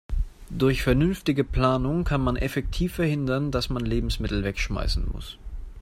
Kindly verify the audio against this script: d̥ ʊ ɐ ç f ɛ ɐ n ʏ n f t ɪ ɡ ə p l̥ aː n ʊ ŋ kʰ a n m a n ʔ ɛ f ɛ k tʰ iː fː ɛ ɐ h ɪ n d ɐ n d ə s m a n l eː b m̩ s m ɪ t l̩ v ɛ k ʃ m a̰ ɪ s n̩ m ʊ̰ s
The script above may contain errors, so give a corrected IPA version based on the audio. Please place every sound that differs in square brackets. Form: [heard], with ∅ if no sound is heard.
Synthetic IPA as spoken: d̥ ʊ ɐ ç f ɛ ɐ n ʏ n f t ɪ ɡ ə p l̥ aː n ʊ ŋ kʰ a n m a n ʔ ɛ f ɛ k tʰ iː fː ɛ ɐ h ɪ n d ɐ n d [a] s m a n l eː b m̩ s m ɪ t l̩ v ɛ k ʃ m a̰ ɪ s n̩ m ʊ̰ s